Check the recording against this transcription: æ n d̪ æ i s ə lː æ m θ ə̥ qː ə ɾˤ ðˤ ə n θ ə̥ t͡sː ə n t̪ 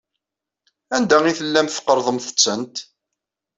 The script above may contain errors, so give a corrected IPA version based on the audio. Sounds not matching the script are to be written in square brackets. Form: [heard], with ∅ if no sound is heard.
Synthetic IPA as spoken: æ n d̪ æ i [θ] ə lː æ m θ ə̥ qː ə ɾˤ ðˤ ə [m] θ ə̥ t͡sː ə n t̪